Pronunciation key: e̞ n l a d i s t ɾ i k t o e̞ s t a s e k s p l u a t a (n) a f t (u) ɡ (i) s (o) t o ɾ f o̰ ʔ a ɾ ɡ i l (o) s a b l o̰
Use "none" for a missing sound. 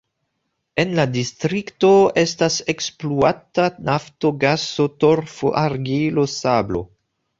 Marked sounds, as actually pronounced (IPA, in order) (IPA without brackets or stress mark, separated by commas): n, o, a, o, o